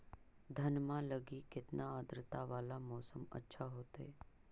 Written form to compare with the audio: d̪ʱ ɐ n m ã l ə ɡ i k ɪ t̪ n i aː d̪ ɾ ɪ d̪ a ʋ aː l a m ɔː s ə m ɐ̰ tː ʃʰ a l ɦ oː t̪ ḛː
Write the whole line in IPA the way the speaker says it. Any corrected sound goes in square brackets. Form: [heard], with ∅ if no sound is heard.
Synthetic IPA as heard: d̪ʱ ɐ n m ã l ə ɡ i k ɪ t̪ n [a] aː d̪ ɾ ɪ [t̪] a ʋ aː l a m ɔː s ə m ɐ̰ tː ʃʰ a [∅] ɦ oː t̪ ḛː